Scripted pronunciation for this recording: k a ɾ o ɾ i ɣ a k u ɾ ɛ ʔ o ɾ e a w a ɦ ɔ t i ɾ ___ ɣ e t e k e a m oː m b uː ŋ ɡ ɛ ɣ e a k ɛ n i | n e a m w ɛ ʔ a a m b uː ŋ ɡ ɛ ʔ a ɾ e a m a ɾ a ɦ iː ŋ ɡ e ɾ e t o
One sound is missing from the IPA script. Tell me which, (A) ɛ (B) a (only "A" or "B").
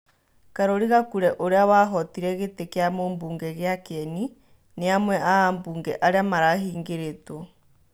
A